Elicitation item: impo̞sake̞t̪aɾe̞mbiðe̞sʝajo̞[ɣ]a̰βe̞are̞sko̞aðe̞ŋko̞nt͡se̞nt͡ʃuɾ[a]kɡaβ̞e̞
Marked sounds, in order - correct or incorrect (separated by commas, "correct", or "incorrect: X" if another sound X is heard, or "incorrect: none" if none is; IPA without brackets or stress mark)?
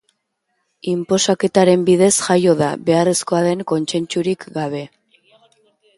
incorrect: ð, incorrect: i